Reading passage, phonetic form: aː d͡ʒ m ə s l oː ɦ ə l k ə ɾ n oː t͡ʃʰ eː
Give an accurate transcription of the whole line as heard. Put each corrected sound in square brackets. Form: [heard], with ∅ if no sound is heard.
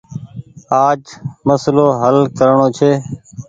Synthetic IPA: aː d͡ʒ m ə s l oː ɦ ə l k ə ɾ [ɳ] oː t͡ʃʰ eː